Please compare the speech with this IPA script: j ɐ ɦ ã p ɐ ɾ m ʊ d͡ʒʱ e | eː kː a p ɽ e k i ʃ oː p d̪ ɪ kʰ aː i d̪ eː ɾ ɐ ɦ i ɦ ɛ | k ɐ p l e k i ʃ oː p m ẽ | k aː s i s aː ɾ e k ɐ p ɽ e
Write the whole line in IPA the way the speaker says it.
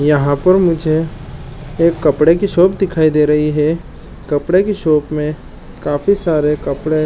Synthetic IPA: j ɐ ɦ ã p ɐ ɾ m ʊ d͡ʒʱ e | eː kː ɐ p ɽ e k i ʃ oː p d̪ ɪ kʰ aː i d̪ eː ɾ ɐ ɦ i ɦ ɛ | k ɐ p ɽ e k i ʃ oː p m ẽ | k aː f i s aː ɾ e k ɐ p ɽ e